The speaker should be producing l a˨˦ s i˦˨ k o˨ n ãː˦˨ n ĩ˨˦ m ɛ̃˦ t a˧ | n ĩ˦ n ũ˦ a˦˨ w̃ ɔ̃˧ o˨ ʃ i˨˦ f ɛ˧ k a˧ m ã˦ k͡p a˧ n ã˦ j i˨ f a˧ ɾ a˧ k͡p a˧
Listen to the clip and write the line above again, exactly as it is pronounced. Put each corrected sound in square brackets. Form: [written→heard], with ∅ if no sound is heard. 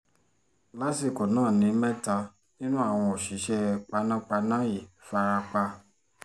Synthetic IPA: l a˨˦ s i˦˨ k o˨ n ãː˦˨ n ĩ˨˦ m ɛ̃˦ t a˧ | n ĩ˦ n ũ˦ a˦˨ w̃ ɔ̃˧ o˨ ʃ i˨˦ [f→ʃ] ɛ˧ [k→k͡p] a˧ [m→n] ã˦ k͡p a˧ n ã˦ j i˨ f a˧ ɾ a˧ k͡p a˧